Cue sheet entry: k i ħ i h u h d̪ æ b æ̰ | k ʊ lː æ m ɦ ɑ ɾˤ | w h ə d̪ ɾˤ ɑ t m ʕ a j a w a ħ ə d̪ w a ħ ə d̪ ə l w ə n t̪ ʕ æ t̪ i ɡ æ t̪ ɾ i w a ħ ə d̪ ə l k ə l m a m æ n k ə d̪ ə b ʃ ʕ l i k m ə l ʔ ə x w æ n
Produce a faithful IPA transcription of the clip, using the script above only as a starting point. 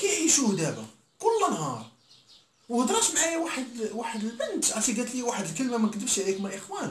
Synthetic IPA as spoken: k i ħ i ʃ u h d̪ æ b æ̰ | k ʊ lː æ n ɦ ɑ ɾˤ | w h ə d̪ ɾˤ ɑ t m ʕ a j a w a ħ ə d̪ w a ħ ə d̪ ə l b ə n t̪ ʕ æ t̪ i ɡ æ t̪ l i w a ħ ə d̪ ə l k ə l m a m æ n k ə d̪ ə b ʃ ʕ l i k m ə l ʔ ə x w æ n